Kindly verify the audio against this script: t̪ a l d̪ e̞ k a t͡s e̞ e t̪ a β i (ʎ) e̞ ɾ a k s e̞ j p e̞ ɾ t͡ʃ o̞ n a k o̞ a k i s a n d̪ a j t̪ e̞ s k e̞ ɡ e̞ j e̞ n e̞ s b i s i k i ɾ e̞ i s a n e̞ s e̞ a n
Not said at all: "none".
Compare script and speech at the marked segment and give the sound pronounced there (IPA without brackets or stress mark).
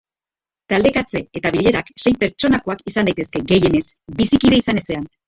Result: ʎ